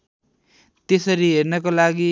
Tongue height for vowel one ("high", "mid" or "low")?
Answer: mid